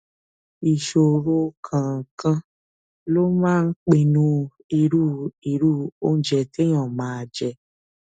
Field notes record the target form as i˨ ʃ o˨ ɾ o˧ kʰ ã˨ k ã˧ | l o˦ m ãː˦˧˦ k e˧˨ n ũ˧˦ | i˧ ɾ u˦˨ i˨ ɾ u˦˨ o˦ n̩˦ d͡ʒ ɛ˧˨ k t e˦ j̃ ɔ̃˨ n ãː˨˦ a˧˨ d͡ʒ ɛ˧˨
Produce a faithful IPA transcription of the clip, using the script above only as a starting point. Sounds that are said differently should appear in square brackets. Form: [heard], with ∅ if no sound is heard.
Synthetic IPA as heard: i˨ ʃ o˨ ɾ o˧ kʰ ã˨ k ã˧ | l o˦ m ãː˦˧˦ [k͡p] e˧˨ n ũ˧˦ | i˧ ɾ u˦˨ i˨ ɾ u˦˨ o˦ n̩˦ d͡ʒ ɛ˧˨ [∅] t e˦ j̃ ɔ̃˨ [m] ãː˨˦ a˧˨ d͡ʒ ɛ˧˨